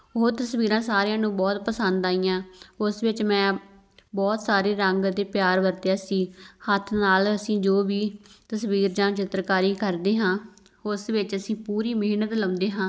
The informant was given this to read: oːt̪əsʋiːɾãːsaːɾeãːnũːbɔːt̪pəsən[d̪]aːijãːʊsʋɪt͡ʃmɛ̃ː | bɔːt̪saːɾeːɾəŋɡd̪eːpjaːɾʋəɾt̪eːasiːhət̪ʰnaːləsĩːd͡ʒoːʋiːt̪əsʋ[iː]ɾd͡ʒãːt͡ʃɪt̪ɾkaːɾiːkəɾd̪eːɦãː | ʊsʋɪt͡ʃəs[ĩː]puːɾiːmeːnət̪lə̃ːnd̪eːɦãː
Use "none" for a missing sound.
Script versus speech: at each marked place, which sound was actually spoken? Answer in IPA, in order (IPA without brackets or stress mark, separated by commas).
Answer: d̪, iː, ĩː